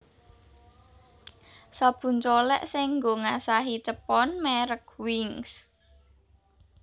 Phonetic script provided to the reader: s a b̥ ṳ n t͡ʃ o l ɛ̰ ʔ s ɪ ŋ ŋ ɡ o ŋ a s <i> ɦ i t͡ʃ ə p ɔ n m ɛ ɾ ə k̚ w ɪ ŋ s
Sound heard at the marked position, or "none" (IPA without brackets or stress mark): a